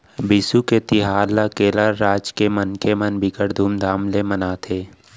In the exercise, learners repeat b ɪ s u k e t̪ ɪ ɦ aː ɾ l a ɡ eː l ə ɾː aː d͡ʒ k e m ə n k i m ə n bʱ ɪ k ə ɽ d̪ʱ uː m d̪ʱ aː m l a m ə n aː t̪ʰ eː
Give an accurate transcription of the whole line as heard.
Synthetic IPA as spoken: b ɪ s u k e t̪ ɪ ɦ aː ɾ l a k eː l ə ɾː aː d͡ʒ k e m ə n k e m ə n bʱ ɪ k ə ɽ d̪ʱ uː m d̪ʱ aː m l e m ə n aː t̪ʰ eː